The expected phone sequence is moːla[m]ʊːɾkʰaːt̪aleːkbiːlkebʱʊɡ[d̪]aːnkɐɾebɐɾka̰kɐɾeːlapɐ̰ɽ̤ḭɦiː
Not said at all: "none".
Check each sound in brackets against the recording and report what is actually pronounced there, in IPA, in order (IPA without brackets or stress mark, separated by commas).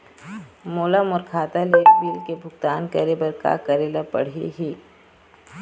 m, t̪